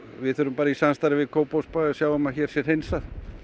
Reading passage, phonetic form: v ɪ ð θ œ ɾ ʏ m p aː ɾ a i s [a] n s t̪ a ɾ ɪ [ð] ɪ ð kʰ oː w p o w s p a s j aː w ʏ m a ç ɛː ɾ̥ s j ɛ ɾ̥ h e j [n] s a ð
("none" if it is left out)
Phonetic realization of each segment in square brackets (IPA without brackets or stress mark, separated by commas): a, v, n